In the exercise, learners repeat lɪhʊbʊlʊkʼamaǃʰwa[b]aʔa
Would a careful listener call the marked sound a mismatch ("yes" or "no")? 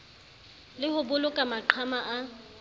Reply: yes